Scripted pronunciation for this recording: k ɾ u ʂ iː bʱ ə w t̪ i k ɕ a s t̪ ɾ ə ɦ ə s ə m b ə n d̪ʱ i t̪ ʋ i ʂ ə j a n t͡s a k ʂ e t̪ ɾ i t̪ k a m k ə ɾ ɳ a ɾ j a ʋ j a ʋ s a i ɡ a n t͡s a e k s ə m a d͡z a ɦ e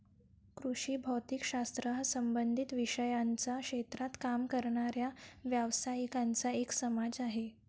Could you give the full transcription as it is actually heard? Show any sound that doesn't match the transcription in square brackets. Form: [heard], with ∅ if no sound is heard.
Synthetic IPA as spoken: k ɾ u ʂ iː bʱ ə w t̪ i k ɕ a s t̪ ɾ ə ɦ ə s ə m b ə n d̪ʱ i t̪ ʋ i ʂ ə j a n t͡s a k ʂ e t̪ ɾ [a] t̪ k a m k ə ɾ ɳ a ɾ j a ʋ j a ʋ s a i [k] a n t͡s a e k s ə m a d͡z a ɦ e